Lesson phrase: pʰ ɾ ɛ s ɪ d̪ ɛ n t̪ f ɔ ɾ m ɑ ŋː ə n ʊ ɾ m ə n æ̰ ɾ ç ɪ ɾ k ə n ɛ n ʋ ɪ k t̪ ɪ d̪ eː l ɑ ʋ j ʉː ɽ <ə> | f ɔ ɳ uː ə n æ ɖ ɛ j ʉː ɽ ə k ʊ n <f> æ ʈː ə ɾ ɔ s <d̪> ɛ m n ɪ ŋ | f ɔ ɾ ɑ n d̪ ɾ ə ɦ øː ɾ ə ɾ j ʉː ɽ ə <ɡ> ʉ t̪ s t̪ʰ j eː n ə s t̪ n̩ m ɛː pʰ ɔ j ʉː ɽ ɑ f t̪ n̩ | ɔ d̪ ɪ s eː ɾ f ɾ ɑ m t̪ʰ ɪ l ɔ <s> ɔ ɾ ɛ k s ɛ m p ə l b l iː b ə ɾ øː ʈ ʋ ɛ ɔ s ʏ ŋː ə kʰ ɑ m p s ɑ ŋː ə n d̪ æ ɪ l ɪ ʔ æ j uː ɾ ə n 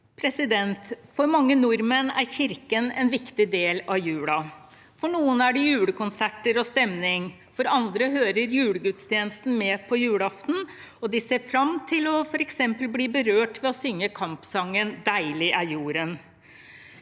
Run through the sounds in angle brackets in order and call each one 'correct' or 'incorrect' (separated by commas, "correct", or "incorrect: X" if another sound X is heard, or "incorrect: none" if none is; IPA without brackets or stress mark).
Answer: incorrect: ɑ, incorrect: s, incorrect: t̪, correct, incorrect: f